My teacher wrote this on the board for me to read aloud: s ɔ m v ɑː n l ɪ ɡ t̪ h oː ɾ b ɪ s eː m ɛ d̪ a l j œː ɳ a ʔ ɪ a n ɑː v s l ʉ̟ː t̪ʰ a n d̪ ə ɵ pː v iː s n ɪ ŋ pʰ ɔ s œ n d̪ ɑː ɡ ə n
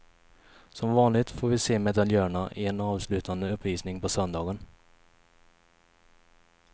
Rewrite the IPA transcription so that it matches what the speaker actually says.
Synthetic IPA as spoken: s ɔ m v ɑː n l ɪ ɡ t̪ f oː ɾ v ɪ s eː m ɛ d̪ a l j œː ɳ a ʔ ɪ ɛ n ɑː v s l ʉ̟ː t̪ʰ a n d̪ ə ɵ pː v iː s n ɪ ŋ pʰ ɔ s œ n d̪ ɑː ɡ ə n